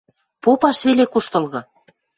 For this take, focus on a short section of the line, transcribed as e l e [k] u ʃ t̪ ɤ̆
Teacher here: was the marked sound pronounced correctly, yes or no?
yes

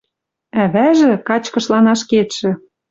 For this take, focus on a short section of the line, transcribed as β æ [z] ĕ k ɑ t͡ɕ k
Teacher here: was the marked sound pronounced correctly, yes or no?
no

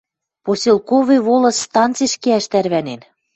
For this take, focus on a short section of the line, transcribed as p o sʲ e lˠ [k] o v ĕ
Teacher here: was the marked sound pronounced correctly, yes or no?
yes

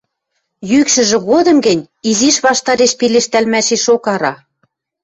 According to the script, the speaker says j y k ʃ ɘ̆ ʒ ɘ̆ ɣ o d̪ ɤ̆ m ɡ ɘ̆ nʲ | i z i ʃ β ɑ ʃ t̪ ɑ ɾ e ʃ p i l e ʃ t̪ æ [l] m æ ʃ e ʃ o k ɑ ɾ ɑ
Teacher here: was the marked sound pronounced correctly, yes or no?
yes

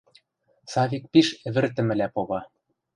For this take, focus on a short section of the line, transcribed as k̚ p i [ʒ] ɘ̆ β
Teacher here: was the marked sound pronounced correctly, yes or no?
no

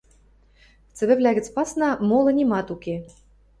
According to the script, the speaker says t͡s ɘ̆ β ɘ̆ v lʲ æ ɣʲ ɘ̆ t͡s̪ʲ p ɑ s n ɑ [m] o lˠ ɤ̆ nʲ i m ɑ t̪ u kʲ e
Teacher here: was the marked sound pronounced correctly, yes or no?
yes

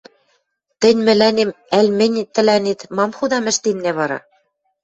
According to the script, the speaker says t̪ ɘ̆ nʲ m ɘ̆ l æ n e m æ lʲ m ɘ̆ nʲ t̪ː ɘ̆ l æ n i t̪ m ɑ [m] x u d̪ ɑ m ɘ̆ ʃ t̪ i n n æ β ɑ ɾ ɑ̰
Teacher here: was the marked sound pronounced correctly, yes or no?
yes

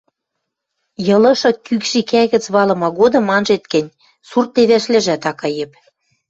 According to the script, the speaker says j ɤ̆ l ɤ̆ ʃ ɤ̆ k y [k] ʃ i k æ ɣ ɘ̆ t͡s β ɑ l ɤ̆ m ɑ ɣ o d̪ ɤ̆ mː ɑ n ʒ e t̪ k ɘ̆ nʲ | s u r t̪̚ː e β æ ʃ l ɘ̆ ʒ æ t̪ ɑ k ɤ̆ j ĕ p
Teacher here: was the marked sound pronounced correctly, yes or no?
yes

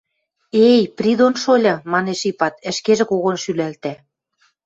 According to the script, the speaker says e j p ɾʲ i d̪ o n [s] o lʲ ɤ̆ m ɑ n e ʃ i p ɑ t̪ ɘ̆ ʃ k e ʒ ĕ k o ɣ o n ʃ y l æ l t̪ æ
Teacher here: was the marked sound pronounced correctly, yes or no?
no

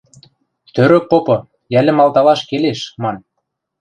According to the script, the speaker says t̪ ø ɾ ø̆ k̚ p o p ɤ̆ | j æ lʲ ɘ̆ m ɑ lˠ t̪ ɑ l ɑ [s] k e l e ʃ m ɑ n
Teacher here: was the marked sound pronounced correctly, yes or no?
no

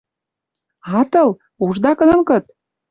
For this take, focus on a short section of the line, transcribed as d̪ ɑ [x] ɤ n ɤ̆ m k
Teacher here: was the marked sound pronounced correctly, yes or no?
no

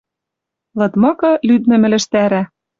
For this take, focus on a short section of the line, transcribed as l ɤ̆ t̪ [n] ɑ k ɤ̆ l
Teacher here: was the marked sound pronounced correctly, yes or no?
no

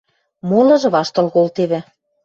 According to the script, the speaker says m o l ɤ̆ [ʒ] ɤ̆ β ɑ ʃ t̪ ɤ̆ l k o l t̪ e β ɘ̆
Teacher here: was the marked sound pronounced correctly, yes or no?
yes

